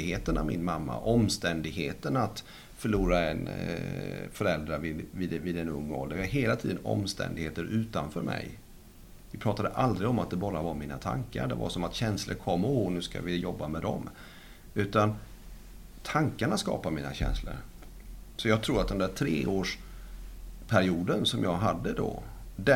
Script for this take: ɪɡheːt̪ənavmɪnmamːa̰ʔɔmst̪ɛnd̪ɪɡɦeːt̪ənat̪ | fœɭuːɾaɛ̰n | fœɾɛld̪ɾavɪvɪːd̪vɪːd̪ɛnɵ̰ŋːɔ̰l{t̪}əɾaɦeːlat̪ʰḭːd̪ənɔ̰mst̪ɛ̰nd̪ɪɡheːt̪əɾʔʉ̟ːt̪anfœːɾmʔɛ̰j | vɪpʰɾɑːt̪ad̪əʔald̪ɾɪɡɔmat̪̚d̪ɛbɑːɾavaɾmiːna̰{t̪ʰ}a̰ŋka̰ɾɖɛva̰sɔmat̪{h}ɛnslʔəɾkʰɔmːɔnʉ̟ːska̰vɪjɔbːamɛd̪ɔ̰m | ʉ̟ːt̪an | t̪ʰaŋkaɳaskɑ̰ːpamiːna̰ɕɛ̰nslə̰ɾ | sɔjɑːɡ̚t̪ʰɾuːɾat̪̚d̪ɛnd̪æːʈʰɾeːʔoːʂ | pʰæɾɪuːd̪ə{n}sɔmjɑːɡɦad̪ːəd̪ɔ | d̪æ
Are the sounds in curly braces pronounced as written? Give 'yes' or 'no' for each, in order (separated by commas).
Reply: no, yes, no, yes